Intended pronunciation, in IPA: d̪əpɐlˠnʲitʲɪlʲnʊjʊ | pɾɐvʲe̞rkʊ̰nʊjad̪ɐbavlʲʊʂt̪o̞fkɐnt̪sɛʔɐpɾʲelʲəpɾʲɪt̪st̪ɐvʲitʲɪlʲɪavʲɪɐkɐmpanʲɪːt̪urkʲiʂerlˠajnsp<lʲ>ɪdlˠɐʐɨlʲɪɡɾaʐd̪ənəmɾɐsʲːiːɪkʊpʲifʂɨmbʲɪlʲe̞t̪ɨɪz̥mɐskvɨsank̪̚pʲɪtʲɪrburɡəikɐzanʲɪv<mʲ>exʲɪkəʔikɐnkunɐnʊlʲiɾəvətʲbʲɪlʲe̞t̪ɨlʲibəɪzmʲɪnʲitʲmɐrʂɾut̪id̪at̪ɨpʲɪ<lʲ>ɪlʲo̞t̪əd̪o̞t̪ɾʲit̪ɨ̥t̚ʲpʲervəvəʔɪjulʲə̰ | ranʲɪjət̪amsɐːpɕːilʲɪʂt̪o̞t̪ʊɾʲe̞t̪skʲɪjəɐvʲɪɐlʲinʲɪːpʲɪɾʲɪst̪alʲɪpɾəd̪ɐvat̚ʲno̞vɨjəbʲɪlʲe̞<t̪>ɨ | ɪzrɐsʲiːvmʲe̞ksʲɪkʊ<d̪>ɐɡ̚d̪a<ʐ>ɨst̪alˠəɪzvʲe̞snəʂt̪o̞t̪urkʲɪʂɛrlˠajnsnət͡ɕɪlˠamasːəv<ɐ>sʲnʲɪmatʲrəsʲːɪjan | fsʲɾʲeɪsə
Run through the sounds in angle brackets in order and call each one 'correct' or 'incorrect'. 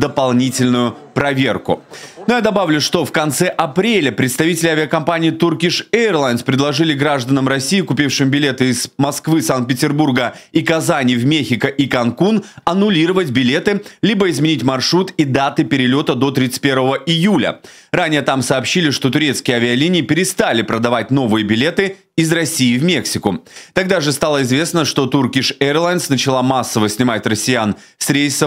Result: incorrect, correct, incorrect, correct, incorrect, correct, incorrect

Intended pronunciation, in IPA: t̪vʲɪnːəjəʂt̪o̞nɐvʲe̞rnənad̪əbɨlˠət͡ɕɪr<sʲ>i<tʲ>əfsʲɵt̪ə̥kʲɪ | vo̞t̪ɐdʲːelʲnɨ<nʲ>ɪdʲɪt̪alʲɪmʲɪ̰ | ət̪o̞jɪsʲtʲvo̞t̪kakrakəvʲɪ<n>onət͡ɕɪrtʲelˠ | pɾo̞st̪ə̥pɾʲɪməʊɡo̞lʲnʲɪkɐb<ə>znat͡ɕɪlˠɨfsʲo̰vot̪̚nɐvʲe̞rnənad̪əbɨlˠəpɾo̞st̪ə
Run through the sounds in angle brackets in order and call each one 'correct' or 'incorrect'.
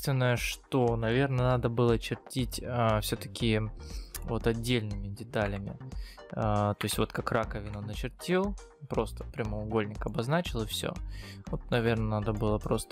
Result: incorrect, correct, incorrect, correct, incorrect

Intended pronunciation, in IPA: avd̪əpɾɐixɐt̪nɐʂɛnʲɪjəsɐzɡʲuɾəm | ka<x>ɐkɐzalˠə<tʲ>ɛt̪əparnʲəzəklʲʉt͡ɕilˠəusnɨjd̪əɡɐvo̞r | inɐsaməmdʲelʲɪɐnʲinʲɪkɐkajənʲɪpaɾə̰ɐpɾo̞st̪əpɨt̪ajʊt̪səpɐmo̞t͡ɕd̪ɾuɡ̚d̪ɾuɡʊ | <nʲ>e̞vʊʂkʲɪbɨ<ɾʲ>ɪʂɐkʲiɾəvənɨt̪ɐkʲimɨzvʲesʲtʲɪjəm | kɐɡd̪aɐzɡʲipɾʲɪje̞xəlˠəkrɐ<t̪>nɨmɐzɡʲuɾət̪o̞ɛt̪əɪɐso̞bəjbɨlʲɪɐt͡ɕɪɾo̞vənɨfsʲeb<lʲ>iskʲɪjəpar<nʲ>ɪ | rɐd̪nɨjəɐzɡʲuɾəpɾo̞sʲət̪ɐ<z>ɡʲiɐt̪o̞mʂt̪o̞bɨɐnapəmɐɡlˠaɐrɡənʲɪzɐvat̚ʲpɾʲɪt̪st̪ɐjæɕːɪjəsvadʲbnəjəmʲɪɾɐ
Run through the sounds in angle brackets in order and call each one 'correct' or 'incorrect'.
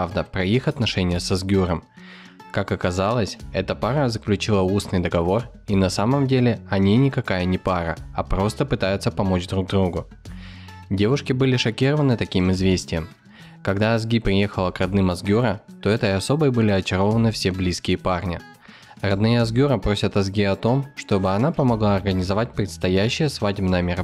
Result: incorrect, incorrect, incorrect, incorrect, incorrect, correct, correct, correct

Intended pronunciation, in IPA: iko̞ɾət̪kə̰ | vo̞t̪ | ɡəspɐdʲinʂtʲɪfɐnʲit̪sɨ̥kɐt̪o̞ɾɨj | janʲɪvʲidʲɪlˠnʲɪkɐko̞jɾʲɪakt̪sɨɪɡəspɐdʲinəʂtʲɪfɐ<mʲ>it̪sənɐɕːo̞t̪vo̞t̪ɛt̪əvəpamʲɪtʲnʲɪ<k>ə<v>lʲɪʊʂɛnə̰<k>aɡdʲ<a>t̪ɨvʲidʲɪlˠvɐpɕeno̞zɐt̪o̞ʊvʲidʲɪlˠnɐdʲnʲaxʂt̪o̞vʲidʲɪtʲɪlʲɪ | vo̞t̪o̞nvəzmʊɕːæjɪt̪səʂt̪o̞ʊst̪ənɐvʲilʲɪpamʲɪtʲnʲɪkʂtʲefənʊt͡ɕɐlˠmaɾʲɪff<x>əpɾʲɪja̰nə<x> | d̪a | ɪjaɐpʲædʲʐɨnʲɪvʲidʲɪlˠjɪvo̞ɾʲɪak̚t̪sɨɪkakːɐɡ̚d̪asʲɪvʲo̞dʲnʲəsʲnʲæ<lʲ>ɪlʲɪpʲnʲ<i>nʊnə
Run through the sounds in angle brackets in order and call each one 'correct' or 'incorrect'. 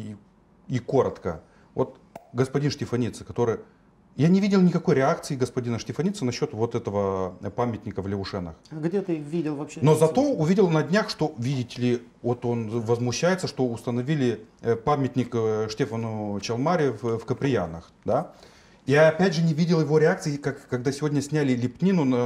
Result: incorrect, correct, correct, incorrect, incorrect, incorrect, correct, correct, correct

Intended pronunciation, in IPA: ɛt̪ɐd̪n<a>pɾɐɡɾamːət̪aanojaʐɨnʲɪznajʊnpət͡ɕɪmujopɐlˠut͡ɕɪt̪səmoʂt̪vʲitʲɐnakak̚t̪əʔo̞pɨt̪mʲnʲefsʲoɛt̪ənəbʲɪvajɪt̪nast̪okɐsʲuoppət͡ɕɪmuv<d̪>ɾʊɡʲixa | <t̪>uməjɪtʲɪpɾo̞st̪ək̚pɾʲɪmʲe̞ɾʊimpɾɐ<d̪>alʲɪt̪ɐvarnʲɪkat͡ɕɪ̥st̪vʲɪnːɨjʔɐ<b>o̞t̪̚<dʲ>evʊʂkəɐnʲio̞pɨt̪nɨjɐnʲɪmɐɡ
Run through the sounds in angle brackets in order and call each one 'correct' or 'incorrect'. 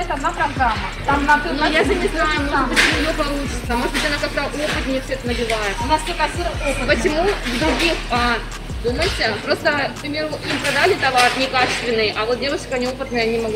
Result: correct, correct, incorrect, correct, incorrect, correct

